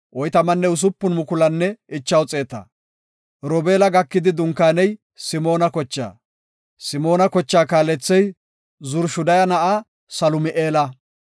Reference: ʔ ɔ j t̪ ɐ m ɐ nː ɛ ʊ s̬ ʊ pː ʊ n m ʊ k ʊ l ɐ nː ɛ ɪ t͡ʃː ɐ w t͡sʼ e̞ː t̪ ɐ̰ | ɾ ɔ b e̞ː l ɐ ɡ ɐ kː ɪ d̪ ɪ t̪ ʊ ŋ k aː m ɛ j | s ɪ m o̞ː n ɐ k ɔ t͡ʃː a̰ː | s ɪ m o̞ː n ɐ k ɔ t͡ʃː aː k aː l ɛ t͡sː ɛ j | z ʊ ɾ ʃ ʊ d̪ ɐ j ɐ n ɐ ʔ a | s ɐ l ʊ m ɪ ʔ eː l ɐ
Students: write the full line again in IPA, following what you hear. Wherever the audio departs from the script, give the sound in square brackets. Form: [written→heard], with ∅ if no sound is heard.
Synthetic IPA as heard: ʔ ɔ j t̪ ɐ m ɐ nː ɛ ʊ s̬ ʊ pː ʊ n m ʊ k ʊ l ɐ nː ɛ ɪ t͡ʃː ɐ w t͡sʼ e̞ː t̪ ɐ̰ | ɾ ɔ b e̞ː l ɐ ɡ ɐ kː ɪ d̪ ɪ [t̪→d̪] ʊ ŋ k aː [m→n] ɛ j | s ɪ m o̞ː n ɐ k ɔ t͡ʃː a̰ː | s ɪ m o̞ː n ɐ k ɔ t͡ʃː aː k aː l ɛ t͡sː ɛ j | z ʊ ɾ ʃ ʊ d̪ ɐ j ɐ n ɐ ʔ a | s ɐ l ʊ m ɪ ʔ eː l ɐ